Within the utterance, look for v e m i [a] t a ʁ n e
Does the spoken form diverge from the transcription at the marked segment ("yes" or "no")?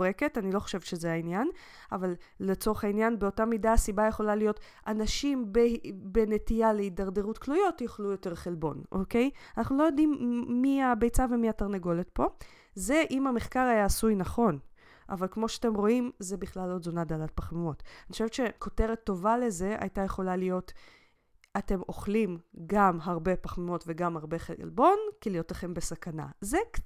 no